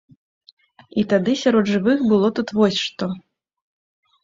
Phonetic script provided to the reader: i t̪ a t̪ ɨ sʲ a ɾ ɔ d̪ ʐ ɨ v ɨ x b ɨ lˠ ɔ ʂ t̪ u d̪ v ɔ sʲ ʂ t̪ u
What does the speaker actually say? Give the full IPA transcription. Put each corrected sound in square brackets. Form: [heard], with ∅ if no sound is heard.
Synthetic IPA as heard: i t̪ a [d̪] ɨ sʲ a ɾ ɔ d̪ ʐ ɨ v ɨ x b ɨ lˠ ɔ [∅] t̪ u [t̪] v ɔ sʲ ʂ t̪ [ɔ]